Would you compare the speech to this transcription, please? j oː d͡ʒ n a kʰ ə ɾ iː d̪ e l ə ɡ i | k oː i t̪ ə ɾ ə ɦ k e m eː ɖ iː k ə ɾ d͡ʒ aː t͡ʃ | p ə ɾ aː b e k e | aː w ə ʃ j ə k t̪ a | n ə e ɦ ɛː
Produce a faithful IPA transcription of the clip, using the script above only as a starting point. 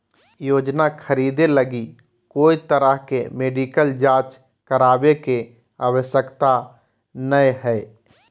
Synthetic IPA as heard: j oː d͡ʒ n a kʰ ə ɾ iː d̪ e l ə ɡ i | k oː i t̪ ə ɾ ə ɦ k e m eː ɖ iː k ə l d͡ʒ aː t͡ʃ | k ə ɾ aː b e k e | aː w ə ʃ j ə k t̪ a | n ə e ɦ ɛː